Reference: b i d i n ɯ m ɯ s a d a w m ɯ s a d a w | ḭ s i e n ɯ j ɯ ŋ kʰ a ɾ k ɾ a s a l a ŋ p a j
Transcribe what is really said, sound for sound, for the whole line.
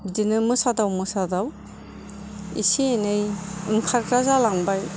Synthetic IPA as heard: b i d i n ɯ m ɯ s a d a w m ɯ s a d a w | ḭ s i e n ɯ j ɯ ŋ kʰ a ɾ k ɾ a z a l a ŋ b a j